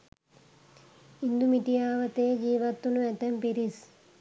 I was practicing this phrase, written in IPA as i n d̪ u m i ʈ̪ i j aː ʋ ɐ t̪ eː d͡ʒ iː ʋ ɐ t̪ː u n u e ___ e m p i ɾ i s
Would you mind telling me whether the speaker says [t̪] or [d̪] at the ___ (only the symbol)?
t̪